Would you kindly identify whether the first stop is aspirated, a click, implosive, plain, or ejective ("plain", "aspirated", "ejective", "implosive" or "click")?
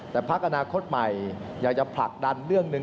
plain